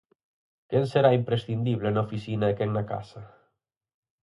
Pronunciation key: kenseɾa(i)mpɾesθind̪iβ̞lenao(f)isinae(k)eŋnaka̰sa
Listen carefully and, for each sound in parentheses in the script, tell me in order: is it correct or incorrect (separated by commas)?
correct, correct, correct